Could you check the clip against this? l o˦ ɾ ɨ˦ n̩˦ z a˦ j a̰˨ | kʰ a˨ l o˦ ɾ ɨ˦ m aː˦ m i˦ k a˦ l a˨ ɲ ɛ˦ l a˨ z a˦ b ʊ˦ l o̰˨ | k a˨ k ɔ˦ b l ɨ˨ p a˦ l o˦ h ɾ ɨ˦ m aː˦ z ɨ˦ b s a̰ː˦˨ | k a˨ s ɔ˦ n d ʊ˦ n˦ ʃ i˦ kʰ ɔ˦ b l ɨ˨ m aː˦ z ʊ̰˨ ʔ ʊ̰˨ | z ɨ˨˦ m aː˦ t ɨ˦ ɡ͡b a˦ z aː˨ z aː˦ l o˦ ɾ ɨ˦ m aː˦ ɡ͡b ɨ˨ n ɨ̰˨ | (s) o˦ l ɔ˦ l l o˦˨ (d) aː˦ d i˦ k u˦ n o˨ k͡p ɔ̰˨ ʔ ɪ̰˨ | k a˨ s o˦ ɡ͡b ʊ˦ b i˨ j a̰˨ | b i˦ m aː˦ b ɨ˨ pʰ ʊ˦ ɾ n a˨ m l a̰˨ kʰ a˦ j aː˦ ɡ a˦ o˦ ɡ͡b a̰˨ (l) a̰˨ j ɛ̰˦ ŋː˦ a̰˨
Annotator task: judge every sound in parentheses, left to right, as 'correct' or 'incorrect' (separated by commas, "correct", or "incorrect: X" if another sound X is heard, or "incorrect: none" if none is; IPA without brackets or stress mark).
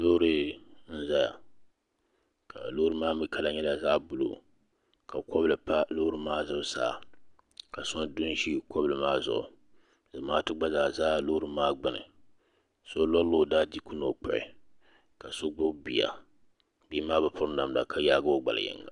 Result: correct, correct, correct